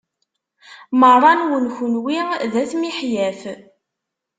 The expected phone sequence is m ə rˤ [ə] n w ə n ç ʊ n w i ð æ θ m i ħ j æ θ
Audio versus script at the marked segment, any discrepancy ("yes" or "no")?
yes